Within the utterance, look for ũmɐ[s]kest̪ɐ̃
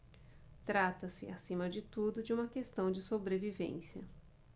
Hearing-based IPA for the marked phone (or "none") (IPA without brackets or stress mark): none